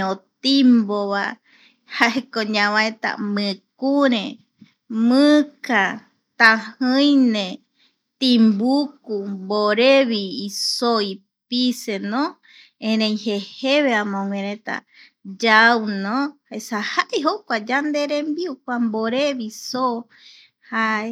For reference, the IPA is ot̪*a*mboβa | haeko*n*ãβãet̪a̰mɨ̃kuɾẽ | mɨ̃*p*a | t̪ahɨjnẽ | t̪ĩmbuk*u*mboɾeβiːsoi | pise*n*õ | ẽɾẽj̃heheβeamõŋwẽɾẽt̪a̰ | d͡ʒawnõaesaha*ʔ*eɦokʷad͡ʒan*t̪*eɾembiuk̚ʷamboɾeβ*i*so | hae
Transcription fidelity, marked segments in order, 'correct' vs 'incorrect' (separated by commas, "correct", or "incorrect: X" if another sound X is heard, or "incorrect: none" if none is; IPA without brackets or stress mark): incorrect: i, incorrect: ɲ, incorrect: k, correct, correct, correct, incorrect: d̪, correct